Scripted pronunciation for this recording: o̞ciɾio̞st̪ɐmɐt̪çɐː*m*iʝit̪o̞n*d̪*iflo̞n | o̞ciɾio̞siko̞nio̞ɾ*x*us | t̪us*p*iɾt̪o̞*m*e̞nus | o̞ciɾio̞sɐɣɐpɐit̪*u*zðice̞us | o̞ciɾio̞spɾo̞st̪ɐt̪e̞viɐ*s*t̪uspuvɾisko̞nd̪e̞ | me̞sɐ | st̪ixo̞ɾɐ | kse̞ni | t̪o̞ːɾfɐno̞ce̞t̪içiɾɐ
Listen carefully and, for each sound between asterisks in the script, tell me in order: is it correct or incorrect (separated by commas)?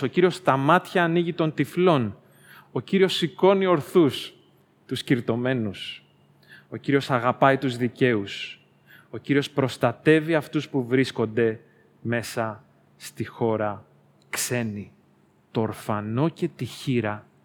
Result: incorrect, incorrect, incorrect, incorrect, correct, correct, incorrect